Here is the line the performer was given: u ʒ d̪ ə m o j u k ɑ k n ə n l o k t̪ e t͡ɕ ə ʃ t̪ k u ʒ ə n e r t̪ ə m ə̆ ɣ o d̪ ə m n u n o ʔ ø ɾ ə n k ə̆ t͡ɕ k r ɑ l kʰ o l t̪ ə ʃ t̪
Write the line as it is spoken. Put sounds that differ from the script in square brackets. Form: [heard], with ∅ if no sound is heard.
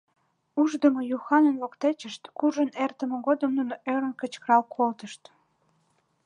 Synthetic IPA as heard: u ʒ d̪ ə m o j u [x] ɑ [∅] n ə n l o k t̪ e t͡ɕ ə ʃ t̪ k u ʒ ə n e r t̪ ə m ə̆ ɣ o d̪ ə m n u n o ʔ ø ɾ ə n k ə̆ t͡ɕ k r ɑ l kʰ o l t̪ ə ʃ t̪